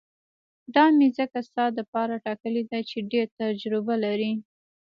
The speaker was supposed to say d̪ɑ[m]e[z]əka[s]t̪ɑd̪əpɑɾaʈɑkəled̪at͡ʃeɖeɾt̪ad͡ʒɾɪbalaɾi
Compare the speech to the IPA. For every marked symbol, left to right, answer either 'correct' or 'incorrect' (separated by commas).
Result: correct, correct, correct